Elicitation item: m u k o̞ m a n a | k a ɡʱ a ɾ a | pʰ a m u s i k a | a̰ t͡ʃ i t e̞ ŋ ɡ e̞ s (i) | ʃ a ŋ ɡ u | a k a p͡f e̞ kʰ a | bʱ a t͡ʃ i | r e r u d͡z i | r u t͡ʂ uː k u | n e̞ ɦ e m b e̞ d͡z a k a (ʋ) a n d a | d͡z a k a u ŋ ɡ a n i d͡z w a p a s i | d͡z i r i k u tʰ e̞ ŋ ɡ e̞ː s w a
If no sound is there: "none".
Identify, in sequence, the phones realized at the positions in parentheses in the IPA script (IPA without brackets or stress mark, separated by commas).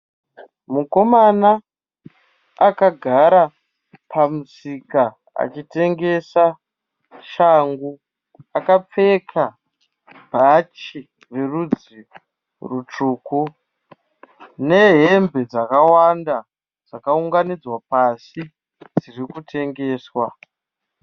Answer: a, w